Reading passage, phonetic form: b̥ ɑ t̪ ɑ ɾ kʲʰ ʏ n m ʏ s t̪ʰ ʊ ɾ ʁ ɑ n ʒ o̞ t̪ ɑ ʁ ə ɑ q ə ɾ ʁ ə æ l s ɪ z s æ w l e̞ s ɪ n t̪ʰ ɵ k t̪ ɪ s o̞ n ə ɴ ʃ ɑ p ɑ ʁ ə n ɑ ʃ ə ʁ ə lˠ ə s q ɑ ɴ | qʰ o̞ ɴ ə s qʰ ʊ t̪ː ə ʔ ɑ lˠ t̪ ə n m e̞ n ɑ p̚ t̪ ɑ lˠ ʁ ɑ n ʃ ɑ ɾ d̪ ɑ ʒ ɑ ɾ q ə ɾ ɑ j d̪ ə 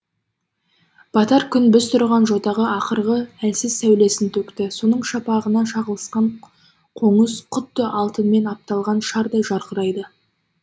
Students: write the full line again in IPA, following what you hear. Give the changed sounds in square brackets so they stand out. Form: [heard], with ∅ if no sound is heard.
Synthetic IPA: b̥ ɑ t̪ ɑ ɾ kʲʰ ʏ n [b] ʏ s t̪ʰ ʊ ɾ ʁ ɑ n ʒ o̞ t̪ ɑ ʁ ə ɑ q ə ɾ ʁ ə æ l s ɪ z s æ w l e̞ s ɪ n t̪ʰ ɵ k t̪ ɪ s o̞ n ə ɴ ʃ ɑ p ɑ ʁ ə n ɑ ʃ [ɑ] ʁ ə lˠ ə s q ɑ ɴ | qʰ o̞ ɴ ə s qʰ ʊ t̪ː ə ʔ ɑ lˠ t̪ ə n m e̞ n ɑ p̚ t̪ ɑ lˠ ʁ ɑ n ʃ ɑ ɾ d̪ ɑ ʒ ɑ ɾ q ə ɾ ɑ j d̪ ə